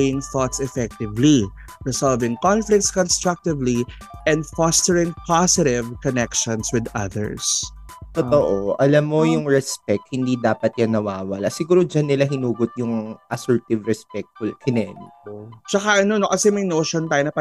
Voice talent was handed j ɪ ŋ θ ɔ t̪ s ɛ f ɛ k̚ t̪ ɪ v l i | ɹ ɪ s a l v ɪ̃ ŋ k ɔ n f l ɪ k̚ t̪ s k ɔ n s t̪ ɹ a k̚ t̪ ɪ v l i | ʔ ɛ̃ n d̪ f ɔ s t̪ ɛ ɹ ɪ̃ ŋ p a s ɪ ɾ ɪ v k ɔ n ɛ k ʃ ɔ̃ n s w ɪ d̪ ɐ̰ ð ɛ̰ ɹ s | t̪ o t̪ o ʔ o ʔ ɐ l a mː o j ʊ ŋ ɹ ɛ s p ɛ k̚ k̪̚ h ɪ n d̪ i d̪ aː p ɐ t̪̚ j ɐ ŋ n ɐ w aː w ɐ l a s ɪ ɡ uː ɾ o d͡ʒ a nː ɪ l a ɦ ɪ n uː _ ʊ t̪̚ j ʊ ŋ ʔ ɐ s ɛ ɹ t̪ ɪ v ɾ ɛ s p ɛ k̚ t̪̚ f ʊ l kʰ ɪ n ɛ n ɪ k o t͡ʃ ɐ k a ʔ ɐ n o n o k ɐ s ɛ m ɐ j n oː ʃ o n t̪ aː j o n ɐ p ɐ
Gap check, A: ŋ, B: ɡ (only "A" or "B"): B